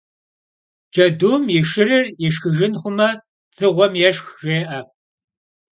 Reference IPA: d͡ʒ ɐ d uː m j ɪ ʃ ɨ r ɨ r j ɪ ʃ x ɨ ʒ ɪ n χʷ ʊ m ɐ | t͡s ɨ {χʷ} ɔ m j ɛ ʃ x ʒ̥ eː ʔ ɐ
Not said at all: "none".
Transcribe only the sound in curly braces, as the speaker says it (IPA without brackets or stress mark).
ʁʷ